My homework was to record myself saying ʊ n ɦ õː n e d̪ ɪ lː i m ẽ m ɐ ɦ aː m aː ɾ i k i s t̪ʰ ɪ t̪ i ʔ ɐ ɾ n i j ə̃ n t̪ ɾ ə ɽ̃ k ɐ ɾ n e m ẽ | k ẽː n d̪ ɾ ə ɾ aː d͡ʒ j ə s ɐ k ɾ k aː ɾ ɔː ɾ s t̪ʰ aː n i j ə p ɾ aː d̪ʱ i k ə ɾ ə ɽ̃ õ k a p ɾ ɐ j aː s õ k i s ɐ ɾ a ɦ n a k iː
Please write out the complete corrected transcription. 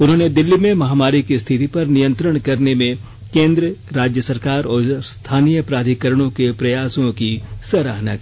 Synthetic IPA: ʊ n ɦ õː n e d̪ ɪ lː i m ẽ m ɐ ɦ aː m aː ɾ i k i s t̪ʰ ɪ t̪ i p ɐ ɾ n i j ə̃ n t̪ ɾ ə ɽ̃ k ɐ ɾ n e m ẽ | k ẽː n d̪ ɾ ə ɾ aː d͡ʒ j ə s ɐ ɾ k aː ɾ ɔː ɾ s t̪ʰ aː n i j ə p ɾ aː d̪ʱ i k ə ɾ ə ɽ̃ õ k e p ɾ ɐ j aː s õ k i s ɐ ɾ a ɦ n a k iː